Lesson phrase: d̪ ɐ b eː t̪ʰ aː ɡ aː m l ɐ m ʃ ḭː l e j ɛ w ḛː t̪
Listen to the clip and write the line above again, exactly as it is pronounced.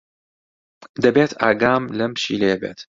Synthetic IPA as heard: d̪ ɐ b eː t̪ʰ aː ɡ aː m l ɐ m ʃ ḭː l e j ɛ b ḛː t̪